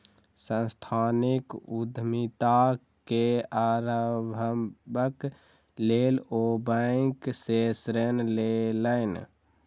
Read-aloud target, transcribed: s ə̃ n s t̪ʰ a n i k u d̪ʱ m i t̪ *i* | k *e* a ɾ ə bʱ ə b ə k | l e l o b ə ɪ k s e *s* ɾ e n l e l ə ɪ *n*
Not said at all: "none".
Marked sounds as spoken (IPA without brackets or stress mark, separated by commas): a, e, s, n